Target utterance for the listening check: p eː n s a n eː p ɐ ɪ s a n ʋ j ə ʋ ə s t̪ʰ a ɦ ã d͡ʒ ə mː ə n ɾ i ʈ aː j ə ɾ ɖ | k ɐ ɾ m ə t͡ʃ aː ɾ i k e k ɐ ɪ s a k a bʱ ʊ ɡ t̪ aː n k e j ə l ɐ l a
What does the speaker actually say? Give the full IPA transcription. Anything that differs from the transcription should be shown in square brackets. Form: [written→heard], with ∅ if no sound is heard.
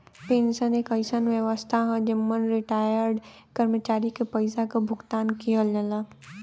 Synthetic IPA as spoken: p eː n s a n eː [p→k] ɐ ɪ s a n ʋ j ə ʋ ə s t̪ʰ a ɦ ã d͡ʒ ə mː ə n ɾ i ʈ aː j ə ɾ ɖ | k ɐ ɾ m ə t͡ʃ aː ɾ i k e [k→p] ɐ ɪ s a k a bʱ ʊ ɡ t̪ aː n k [e→i] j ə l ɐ l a